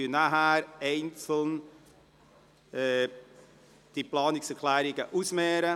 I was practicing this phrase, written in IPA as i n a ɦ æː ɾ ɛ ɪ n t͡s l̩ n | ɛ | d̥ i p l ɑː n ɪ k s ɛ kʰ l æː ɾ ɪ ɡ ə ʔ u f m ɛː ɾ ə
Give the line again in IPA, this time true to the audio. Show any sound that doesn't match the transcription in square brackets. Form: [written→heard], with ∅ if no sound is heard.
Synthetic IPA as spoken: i n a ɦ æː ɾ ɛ ɪ n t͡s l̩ n | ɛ | d̥ i p l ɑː n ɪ k s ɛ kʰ l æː ɾ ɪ ɡ ə ʔ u [f→s] m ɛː ɾ ə